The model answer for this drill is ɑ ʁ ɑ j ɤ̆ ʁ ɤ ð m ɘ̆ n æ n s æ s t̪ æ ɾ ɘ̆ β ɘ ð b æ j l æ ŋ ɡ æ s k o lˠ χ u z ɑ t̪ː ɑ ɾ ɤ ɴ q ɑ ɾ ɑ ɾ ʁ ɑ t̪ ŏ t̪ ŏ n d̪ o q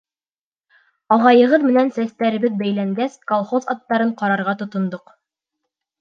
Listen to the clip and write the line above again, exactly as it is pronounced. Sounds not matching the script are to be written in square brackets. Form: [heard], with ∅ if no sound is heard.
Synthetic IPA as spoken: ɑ ʁ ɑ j ɤ̆ ʁ ɤ ð m ɘ̆ n æ n s æ s t̪ æ ɾ ɘ̆ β ɘ ð b æ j l æ ŋ ɡ æ s k o lˠ χ [o] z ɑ t̪ː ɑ ɾ ɤ ɴ q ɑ ɾ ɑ ɾ ʁ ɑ t̪ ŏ t̪ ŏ n d̪ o q